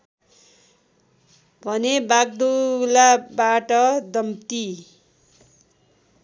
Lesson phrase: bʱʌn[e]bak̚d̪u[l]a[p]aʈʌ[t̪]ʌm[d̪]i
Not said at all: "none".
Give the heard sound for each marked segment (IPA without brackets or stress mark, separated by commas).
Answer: e, l, b, d̪, t̪